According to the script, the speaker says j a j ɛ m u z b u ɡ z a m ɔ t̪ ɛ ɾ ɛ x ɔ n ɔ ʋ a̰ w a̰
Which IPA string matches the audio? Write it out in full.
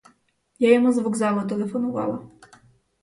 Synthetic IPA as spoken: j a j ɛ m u z v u ɡ z a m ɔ t̪ ɛ l ɛ f ɔ n ɔ v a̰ w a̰